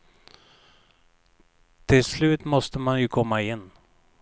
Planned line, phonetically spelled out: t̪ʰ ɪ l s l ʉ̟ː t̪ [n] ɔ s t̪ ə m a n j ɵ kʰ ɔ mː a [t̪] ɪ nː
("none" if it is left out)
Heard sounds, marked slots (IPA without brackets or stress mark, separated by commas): m, none